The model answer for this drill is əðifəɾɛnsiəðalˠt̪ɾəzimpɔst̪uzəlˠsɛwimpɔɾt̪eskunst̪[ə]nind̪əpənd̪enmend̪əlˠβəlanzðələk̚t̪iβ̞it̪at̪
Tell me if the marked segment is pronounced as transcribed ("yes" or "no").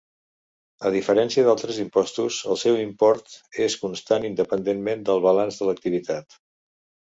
no